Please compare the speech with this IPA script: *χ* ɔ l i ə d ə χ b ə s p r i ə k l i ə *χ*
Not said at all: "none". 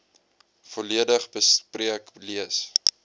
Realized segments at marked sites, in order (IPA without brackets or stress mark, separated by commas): f, s